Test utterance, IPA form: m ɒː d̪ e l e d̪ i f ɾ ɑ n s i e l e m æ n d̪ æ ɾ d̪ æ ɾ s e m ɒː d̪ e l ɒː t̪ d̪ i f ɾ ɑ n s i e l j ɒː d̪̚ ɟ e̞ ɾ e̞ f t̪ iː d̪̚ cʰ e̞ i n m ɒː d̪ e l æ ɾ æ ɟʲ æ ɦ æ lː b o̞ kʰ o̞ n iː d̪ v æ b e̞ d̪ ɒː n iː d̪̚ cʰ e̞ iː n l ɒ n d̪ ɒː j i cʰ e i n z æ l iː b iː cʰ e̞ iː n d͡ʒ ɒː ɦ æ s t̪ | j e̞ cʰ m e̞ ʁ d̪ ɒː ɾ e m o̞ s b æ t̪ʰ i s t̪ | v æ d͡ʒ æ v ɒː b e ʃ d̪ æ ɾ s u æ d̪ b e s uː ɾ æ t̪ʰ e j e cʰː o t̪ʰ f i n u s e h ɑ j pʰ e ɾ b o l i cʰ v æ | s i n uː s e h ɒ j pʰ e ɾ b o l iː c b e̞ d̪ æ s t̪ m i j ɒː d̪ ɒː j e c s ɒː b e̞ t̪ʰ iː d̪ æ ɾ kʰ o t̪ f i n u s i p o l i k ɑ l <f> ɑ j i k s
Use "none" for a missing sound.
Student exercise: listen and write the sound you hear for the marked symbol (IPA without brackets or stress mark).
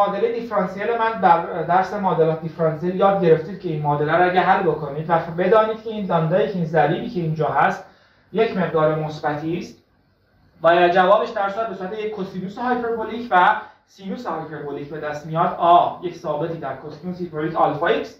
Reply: f